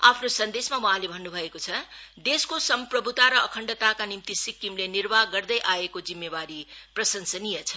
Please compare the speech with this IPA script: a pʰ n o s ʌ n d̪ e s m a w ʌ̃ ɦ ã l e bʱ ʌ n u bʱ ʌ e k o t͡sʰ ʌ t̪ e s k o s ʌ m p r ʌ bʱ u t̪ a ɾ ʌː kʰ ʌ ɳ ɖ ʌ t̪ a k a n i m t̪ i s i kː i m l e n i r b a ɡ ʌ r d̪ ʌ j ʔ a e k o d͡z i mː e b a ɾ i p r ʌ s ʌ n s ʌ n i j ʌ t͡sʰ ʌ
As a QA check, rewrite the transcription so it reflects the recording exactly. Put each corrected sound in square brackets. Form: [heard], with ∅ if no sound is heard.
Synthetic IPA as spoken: a pʰ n o s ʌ n d̪ e s m a w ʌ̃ ɦ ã l e bʱ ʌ [nː] u bʱ ʌ e k o t͡sʰ ʌ [d̪] e s k o s ʌ m p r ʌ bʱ u t̪ a ɾ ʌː kʰ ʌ ɳ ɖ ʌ t̪ a k a n i m t̪ i s i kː i m l e n i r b a ɡ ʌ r d̪ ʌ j ʔ a e k o d͡z i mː e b a ɾ i p r ʌ s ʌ n s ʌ n i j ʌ t͡sʰ ʌ